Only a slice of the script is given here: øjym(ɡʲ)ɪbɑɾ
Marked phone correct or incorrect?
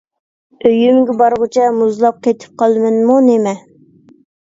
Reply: correct